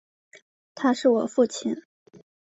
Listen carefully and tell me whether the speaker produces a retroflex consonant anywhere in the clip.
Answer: yes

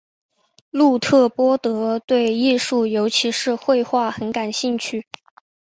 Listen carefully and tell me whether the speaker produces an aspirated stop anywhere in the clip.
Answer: yes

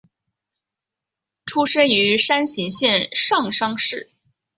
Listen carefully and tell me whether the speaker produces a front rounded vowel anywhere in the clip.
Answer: yes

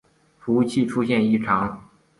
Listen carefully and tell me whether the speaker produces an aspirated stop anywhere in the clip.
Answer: yes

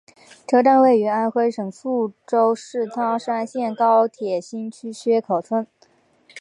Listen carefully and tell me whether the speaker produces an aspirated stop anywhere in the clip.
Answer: yes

